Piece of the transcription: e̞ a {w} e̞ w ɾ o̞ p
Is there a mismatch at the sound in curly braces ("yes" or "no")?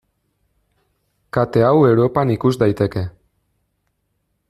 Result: no